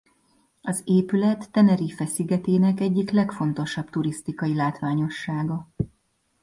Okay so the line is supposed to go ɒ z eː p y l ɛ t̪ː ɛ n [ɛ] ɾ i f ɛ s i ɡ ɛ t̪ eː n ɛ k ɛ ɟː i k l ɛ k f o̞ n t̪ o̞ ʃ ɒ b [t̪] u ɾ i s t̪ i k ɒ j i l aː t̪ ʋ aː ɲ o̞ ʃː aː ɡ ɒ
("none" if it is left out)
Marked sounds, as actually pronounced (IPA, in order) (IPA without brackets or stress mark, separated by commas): ɛ, t̪